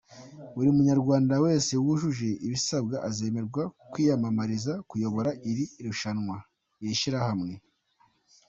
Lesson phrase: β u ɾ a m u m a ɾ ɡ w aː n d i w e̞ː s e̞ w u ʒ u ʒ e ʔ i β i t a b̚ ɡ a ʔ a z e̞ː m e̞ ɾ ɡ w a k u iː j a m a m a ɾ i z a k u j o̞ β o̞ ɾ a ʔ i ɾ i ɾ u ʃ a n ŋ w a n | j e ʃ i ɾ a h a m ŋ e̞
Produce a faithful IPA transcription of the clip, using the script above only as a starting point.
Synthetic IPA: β u ɾ i m u ɲ a ɾ ɡ w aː n d a w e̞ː s e̞ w u ʒ u ʒ e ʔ i β i s a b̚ ɡ a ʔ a z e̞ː m e̞ ɾ ɡ w a k w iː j a m a m a ɾ i z a k u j o̞ β o̞ ɾ a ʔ i ɾ i ɾ u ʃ a n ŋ w a | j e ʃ i ɾ a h a m ŋ e̞